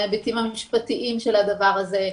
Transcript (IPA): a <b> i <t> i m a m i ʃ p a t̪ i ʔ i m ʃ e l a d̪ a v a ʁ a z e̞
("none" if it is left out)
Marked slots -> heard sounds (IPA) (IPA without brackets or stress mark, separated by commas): b, t